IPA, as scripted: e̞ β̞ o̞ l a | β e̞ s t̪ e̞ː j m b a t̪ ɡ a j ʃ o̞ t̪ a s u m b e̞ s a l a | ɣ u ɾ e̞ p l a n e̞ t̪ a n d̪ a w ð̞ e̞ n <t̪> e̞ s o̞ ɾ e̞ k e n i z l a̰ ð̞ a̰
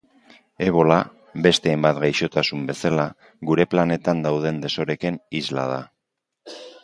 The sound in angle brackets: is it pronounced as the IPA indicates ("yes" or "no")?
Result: no